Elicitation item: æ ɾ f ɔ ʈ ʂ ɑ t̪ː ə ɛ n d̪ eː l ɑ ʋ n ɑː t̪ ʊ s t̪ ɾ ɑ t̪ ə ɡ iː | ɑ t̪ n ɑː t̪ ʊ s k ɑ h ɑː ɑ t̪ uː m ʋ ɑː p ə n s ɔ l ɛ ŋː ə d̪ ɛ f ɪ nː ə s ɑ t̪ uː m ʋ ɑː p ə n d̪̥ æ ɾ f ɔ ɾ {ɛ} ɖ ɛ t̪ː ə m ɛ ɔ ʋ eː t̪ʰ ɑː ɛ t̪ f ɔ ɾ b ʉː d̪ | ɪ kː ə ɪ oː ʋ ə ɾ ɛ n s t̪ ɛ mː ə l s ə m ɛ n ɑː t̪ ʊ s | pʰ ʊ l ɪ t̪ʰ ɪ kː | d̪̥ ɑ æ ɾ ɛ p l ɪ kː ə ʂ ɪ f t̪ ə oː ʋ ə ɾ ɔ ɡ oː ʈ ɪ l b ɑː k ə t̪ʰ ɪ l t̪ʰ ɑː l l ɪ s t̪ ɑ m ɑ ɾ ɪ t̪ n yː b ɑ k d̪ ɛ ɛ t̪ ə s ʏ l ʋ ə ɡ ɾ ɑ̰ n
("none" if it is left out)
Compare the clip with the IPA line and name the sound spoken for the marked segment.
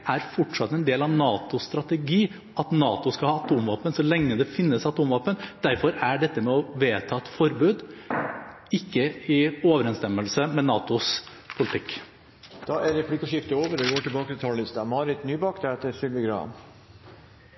æ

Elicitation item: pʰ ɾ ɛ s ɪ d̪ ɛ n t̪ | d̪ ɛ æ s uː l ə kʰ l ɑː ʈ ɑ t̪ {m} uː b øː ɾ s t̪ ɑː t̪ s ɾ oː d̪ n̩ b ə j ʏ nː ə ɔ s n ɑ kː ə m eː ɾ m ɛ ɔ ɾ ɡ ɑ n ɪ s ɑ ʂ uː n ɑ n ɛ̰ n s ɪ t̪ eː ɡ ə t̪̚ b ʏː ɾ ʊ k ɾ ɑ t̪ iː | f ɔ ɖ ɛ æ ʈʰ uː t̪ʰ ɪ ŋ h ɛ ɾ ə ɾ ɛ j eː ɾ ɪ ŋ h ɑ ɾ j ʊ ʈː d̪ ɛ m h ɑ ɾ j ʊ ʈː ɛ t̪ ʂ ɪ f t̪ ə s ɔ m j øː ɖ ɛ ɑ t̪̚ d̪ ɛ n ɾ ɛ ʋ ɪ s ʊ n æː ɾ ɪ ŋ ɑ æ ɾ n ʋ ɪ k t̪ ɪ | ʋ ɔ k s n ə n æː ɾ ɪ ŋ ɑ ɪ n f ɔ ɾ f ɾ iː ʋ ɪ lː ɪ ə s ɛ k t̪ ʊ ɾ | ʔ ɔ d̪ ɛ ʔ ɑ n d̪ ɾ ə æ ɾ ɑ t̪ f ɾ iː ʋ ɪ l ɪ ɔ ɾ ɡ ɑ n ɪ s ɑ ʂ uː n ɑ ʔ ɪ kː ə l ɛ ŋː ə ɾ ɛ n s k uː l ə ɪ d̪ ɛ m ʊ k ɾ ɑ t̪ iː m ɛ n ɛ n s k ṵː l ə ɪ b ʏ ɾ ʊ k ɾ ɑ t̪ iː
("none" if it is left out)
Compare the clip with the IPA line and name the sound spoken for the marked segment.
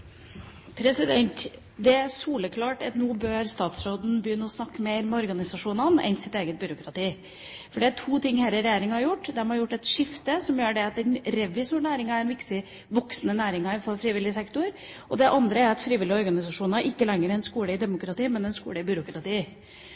n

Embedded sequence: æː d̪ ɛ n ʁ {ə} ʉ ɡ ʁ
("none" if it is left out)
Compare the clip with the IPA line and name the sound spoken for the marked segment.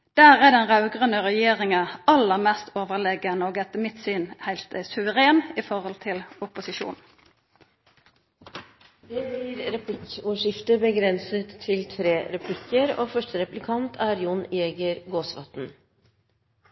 ɑ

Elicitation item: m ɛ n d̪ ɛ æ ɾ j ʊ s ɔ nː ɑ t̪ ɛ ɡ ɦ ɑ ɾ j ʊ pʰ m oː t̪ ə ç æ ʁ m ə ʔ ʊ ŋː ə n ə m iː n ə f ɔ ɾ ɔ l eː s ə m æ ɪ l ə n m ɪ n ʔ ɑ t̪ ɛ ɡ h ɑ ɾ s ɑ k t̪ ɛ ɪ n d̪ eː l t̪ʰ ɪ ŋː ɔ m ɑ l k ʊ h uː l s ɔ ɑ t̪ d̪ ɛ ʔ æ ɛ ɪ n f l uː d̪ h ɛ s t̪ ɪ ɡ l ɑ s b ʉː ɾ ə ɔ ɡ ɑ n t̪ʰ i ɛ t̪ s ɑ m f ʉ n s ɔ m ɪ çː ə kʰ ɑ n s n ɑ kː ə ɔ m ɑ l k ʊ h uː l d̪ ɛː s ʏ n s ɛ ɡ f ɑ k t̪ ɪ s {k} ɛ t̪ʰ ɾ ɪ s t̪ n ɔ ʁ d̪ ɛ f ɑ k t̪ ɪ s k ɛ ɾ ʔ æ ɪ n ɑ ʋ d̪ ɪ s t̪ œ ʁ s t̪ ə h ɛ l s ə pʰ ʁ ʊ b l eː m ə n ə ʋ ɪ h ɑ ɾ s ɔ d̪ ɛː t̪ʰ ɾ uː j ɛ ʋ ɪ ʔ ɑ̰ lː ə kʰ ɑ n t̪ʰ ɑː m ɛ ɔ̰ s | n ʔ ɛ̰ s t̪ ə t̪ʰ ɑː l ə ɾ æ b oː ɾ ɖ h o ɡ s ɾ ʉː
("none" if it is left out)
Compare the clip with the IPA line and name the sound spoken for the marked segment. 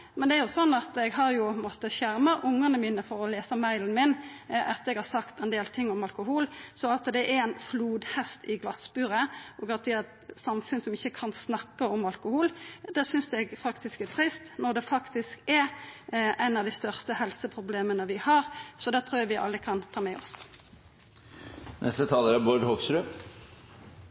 k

